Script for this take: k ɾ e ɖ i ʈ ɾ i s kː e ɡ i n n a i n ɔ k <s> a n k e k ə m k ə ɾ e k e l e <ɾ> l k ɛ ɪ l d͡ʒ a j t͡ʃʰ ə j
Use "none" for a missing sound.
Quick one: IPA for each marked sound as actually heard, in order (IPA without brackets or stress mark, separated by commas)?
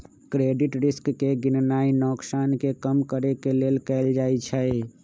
s, none